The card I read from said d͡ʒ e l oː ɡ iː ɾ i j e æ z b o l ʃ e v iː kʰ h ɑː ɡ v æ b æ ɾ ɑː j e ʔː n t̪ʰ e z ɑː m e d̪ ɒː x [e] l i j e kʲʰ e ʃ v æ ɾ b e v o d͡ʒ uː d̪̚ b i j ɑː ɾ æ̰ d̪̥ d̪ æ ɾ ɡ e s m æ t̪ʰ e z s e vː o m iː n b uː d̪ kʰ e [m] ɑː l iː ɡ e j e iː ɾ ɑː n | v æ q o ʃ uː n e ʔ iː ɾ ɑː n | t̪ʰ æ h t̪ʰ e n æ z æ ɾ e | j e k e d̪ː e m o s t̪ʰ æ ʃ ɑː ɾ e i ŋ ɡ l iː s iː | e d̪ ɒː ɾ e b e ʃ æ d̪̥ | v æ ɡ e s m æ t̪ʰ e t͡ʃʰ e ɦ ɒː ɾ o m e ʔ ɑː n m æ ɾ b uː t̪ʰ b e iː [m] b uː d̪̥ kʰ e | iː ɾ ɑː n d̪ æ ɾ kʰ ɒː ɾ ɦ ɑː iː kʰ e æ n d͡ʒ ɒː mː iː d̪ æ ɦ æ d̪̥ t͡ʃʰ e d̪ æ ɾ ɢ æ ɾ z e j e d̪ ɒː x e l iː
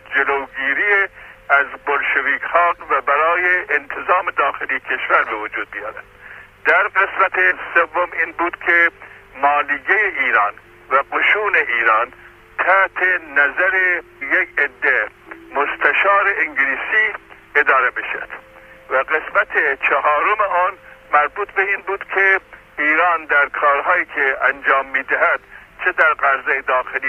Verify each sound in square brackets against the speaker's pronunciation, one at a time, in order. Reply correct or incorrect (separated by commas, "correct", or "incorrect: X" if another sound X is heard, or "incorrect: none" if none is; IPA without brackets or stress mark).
correct, correct, incorrect: n